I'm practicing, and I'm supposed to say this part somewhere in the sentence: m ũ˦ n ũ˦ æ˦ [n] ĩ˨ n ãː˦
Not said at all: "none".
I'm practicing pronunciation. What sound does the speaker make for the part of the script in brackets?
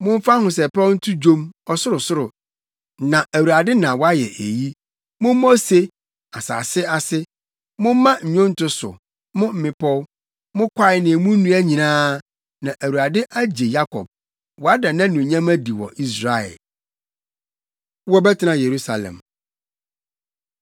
ɲ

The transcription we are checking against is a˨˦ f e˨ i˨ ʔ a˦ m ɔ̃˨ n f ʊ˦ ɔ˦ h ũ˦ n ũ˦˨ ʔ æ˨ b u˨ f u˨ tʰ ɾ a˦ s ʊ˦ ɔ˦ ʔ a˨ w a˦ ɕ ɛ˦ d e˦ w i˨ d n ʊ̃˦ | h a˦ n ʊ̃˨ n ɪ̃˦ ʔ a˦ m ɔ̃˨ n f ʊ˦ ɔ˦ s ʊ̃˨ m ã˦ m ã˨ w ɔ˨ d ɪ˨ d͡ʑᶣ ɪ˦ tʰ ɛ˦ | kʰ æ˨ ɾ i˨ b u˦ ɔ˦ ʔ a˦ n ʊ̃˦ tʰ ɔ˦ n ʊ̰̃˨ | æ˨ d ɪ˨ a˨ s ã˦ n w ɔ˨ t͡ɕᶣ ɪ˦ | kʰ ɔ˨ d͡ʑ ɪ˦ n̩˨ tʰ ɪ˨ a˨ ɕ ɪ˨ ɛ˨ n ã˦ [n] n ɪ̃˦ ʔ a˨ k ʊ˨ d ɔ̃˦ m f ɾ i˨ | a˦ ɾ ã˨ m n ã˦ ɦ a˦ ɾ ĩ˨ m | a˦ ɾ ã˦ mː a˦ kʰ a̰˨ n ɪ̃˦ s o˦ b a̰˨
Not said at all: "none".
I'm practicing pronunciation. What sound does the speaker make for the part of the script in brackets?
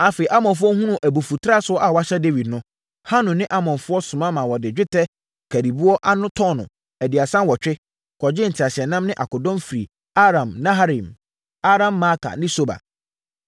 m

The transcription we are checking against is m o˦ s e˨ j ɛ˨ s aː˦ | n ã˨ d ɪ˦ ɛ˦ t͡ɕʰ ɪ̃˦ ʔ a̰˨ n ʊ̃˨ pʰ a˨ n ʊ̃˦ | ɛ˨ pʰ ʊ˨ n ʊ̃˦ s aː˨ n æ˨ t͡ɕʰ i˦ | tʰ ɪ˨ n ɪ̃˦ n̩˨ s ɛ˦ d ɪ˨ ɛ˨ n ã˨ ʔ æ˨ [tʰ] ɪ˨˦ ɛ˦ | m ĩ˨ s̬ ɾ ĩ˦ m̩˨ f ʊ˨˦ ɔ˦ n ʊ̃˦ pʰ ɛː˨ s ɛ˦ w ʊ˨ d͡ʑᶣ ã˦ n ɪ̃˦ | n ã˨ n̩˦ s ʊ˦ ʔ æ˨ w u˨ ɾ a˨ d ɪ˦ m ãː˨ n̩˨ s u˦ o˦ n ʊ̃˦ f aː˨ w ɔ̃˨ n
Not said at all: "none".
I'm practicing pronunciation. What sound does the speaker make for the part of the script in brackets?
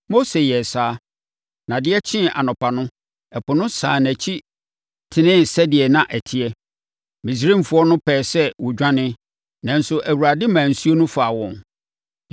tʰ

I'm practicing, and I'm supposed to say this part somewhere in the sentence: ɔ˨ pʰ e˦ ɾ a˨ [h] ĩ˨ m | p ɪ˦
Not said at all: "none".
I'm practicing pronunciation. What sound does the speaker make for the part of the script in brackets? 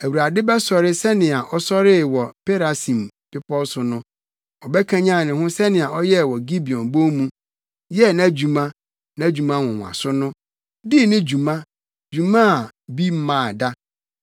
s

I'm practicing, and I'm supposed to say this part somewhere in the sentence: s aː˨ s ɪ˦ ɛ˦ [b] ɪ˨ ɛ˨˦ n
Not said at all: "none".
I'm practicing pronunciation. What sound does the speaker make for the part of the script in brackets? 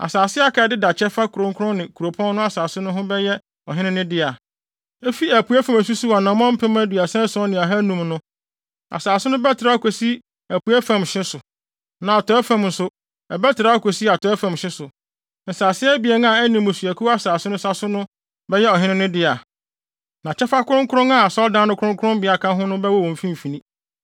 b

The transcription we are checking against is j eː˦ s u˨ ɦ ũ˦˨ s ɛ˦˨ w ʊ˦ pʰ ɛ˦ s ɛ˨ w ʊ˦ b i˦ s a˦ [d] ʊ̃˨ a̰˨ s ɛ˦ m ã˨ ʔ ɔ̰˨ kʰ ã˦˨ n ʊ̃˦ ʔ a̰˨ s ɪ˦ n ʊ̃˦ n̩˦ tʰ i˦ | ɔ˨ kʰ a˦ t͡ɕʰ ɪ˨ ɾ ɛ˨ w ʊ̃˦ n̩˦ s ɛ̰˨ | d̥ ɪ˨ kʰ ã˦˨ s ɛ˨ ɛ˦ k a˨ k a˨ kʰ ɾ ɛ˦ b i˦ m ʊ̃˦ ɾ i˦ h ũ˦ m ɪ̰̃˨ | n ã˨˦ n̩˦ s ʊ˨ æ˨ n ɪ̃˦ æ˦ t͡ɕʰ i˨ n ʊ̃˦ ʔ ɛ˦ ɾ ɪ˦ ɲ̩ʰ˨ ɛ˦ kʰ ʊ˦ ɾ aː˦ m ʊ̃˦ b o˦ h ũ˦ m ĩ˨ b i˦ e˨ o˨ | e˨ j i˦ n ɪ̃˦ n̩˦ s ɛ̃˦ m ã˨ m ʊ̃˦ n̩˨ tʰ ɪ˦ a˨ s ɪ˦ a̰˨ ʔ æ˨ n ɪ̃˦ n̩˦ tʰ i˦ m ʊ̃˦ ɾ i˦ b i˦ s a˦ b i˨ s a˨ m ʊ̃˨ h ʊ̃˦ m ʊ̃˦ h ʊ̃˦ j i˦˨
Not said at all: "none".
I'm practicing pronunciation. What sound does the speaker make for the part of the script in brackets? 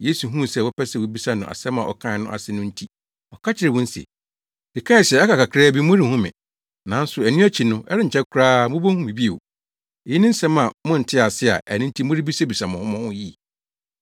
n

